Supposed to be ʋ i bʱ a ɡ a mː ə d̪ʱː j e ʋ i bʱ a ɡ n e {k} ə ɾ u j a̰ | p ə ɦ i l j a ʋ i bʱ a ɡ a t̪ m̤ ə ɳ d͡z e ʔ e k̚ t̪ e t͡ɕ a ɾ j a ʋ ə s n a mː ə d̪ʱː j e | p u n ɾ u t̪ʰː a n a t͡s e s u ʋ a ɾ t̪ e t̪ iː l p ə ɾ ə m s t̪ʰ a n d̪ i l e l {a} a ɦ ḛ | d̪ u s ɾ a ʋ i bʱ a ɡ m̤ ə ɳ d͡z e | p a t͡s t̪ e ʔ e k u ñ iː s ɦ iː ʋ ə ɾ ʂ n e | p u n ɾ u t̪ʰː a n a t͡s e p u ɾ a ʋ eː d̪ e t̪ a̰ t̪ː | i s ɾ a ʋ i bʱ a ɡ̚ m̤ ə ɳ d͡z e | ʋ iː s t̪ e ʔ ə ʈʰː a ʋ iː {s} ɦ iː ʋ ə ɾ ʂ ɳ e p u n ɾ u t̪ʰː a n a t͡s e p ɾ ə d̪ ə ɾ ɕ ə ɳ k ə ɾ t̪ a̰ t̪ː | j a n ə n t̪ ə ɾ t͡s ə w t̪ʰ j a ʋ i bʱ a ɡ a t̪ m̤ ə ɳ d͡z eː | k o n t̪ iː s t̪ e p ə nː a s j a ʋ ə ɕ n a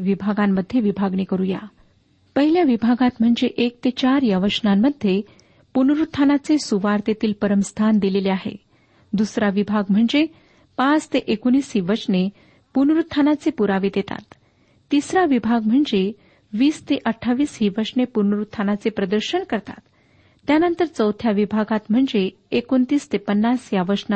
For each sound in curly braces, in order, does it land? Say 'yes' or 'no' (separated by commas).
yes, no, yes